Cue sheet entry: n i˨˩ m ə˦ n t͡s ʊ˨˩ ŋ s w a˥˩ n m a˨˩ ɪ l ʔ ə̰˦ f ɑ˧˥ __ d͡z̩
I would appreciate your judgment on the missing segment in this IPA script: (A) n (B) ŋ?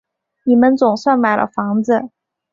B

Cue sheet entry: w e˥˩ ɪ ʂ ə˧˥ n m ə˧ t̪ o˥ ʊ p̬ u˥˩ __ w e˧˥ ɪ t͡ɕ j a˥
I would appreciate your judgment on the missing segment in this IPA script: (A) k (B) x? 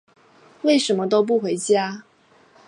B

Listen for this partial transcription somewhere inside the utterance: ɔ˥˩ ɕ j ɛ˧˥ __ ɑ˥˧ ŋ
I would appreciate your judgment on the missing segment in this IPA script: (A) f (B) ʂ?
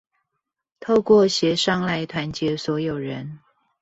B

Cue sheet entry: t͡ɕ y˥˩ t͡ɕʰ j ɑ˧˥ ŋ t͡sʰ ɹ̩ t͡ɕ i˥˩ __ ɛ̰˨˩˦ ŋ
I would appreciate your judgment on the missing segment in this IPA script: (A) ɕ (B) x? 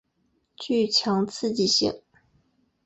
A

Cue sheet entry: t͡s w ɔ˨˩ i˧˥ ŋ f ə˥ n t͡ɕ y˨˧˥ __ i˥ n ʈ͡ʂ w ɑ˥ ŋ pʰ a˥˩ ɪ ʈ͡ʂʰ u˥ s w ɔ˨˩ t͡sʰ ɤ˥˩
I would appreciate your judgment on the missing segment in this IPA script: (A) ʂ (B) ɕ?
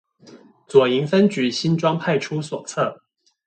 B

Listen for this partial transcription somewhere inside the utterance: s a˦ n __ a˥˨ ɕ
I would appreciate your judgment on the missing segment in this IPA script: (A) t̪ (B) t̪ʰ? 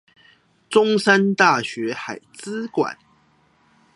A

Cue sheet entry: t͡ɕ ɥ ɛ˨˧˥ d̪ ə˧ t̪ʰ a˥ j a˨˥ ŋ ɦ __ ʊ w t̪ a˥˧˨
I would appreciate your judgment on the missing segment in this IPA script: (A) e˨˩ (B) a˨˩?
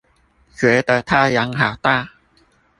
B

